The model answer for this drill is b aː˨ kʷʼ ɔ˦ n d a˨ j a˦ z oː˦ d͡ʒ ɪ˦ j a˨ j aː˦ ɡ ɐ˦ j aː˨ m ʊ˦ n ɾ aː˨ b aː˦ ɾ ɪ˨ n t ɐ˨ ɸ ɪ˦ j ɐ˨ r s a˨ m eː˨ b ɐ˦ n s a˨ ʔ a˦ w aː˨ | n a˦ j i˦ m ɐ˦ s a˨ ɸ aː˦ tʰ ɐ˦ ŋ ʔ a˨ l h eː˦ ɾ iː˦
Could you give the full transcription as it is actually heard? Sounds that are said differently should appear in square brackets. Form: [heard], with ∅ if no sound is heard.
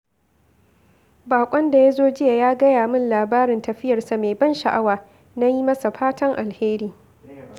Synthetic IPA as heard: b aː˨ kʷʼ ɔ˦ n d a˨ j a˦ z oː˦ d͡ʒ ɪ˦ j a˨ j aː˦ ɡ ɐ˦ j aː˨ m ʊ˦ n [l] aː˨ b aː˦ ɾ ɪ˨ n t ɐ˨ ɸ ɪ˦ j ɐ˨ r s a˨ m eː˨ b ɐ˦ n [ʃ] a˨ ʔ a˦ w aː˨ | n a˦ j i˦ m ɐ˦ s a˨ ɸ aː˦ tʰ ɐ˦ ŋ ʔ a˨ l h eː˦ ɾ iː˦